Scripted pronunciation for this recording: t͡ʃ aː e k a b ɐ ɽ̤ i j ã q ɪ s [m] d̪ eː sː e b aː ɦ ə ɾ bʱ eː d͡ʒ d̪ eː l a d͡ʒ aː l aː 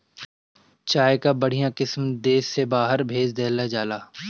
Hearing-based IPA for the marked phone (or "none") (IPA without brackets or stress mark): m